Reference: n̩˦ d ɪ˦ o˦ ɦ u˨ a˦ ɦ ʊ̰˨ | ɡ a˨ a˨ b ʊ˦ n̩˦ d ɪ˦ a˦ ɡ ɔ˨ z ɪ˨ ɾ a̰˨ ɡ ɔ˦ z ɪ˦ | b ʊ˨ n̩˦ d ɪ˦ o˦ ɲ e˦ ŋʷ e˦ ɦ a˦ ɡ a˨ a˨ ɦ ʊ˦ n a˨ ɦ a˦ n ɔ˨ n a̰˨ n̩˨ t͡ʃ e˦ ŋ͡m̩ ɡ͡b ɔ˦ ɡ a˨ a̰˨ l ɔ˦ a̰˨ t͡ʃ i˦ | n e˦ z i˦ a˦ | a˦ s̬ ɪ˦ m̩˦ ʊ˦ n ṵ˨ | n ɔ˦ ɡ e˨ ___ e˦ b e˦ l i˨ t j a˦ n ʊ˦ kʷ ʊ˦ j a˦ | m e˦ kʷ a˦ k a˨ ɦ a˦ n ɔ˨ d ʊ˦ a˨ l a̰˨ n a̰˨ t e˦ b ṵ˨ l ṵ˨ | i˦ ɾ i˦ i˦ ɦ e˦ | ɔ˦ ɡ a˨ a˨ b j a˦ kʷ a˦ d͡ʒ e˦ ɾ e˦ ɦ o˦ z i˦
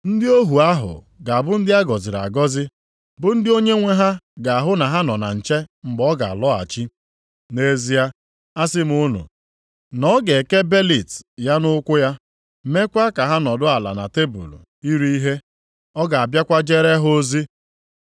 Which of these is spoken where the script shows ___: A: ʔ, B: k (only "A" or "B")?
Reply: B